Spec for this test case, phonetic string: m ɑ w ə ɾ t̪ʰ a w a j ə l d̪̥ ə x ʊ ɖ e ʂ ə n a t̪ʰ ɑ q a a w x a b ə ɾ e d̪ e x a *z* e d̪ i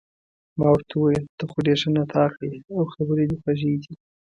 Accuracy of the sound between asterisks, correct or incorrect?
incorrect